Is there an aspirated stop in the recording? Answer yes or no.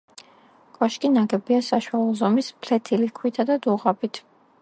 yes